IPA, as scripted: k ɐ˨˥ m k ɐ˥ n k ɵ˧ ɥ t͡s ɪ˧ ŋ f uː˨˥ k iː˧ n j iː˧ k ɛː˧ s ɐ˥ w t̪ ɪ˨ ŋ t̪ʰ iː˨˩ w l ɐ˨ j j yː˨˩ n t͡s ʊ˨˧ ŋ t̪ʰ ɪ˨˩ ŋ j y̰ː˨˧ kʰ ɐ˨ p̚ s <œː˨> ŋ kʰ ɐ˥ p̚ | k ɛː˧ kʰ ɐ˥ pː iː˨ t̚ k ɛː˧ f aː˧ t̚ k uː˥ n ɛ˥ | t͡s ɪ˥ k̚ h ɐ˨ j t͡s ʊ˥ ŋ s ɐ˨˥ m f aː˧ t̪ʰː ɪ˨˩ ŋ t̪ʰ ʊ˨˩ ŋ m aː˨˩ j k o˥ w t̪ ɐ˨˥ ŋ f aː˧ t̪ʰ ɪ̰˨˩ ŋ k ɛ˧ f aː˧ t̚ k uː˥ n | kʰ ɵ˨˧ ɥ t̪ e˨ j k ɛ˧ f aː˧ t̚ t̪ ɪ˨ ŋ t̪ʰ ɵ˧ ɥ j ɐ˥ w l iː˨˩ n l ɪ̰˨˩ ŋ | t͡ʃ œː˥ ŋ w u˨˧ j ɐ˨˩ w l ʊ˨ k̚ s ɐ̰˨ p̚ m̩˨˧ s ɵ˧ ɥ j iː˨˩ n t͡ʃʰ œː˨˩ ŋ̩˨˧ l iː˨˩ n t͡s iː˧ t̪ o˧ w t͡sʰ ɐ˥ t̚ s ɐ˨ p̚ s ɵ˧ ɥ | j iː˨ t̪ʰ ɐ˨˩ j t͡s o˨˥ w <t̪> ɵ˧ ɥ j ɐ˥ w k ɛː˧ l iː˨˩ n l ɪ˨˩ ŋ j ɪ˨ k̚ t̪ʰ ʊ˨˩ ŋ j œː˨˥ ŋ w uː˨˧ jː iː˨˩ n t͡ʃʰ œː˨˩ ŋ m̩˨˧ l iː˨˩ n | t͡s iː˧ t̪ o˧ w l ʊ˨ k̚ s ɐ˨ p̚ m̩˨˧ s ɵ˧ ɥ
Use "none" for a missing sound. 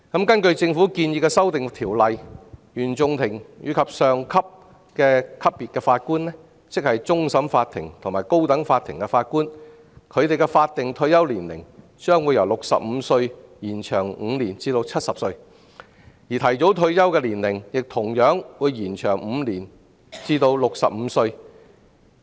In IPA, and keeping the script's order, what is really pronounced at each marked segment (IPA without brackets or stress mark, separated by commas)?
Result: œː˨, t̪ʰ